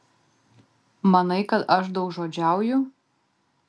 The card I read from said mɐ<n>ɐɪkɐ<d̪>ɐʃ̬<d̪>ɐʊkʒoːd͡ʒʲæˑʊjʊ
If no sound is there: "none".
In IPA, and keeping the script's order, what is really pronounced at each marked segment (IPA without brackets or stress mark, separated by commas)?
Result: n, t̪, d̪